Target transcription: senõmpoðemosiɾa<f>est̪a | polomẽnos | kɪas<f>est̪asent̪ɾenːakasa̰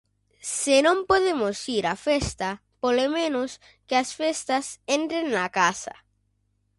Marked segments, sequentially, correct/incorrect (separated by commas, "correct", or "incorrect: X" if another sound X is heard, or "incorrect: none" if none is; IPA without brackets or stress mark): correct, correct